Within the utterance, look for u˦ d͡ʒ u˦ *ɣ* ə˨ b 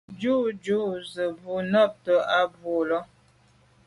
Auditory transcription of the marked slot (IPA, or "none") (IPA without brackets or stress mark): z